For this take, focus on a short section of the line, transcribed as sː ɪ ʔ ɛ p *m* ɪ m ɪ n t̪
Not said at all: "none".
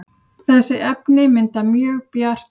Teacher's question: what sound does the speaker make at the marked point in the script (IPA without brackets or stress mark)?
n